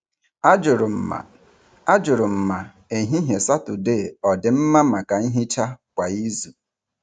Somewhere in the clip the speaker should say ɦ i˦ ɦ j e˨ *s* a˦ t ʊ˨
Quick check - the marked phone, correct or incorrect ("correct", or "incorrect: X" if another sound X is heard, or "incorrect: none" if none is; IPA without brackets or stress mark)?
correct